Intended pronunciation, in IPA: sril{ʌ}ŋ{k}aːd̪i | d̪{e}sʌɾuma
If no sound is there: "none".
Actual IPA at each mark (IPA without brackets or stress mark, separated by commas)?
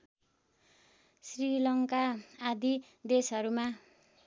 ʌ, k, e